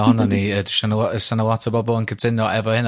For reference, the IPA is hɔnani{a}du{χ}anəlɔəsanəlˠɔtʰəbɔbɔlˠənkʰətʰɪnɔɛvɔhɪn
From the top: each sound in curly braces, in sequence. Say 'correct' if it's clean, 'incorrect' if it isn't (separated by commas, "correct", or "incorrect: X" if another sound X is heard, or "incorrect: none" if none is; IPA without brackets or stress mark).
incorrect: ə, incorrect: ʃ